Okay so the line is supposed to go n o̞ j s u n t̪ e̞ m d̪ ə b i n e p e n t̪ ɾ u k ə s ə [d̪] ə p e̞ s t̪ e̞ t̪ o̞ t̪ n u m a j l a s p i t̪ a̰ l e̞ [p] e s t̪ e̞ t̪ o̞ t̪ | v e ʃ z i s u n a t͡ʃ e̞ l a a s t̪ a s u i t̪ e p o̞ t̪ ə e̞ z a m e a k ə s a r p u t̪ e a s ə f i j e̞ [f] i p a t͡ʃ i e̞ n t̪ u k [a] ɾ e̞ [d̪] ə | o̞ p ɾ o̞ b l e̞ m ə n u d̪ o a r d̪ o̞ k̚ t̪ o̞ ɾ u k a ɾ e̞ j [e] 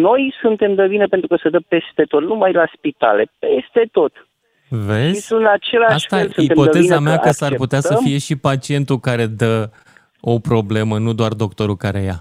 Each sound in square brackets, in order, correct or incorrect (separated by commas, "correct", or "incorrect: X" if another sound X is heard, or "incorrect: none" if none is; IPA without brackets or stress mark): correct, correct, incorrect: ʃ, correct, correct, incorrect: a